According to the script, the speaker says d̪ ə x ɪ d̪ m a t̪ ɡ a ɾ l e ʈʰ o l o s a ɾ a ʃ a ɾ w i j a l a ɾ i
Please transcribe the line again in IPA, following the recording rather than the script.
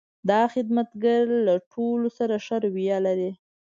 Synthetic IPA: d̪ ɑ x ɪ d̪ m a t̪ ɡ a ɾ l a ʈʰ o l o s a ɾ a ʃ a ɾ w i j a l a ɾ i